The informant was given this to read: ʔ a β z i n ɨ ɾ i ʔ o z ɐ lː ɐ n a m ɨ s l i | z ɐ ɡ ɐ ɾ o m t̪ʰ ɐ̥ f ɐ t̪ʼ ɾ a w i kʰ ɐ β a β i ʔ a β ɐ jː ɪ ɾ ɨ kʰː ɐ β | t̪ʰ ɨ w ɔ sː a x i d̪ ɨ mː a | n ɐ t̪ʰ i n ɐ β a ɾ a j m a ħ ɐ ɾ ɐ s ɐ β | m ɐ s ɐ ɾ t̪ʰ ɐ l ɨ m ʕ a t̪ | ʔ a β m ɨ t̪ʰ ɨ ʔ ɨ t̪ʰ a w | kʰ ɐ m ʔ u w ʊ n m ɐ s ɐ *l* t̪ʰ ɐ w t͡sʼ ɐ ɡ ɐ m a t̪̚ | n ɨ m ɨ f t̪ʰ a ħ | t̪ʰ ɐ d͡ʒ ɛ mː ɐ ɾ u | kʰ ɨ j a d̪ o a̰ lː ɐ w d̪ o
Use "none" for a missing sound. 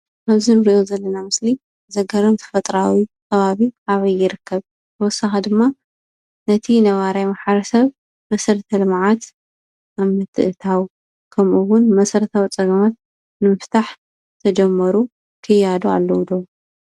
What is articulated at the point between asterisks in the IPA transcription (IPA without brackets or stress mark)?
ɾ